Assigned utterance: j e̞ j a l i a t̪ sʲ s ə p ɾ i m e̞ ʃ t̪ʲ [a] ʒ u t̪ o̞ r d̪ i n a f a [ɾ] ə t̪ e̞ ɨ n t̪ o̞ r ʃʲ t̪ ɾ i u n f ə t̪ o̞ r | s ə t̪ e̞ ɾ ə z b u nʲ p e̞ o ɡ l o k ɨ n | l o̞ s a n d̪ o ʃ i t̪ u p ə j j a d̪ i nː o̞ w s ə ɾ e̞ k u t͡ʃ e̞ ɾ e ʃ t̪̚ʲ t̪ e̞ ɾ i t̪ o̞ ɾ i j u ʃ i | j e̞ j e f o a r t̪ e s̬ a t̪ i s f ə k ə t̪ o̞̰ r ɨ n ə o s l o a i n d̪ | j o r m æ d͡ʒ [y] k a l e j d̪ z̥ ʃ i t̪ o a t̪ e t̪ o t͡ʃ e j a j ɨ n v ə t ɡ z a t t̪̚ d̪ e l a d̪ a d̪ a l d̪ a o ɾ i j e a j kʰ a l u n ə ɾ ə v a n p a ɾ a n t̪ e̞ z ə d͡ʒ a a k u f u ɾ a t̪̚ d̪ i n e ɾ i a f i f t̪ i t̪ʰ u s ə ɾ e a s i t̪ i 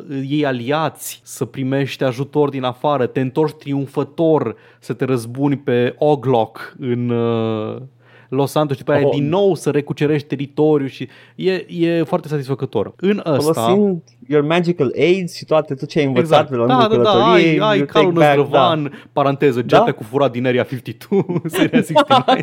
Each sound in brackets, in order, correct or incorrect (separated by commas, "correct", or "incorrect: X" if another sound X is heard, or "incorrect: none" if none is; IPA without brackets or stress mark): correct, correct, incorrect: i